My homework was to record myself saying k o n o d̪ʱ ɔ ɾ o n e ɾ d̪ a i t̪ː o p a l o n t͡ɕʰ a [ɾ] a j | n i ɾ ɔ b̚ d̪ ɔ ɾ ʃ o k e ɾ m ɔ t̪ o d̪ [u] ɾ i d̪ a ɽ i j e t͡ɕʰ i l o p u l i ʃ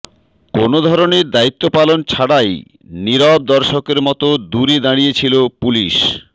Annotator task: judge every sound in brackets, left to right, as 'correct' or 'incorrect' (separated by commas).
incorrect, correct